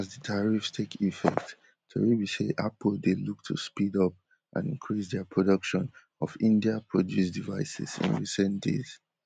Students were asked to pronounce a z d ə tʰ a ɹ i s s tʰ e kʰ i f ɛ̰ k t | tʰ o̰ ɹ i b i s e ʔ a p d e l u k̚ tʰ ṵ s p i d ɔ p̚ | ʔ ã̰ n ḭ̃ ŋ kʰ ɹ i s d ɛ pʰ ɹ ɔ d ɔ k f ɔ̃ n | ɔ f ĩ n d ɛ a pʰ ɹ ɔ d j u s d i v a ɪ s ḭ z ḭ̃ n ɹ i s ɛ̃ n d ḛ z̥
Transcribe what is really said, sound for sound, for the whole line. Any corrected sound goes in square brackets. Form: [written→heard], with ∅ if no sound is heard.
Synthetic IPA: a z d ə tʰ a ɹ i [s→f] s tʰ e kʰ i f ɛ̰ k t | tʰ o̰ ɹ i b i s e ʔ a p d e l u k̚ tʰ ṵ s p i d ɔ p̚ | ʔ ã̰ n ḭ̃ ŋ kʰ ɹ i s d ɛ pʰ ɹ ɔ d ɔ k [f→ʃ] ɔ̃ n | ɔ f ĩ n d [ɛ→i] a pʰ ɹ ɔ d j u s d i v a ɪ s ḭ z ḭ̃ n ɹ i s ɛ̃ n d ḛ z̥